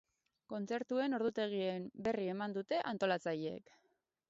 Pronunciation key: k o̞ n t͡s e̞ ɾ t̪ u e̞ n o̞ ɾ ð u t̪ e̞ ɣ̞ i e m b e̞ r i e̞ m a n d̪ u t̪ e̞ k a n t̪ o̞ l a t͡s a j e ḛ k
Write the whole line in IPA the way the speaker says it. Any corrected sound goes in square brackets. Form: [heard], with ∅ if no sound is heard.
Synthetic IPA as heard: k o̞ n t͡s e̞ ɾ t̪ u e̞ n o̞ ɾ ð u t̪ e̞ ɣ̞ i e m b e̞ r i e̞ m a n d̪ u t̪ e̞ [ʔ] a n t̪ o̞ l a t͡s a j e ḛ k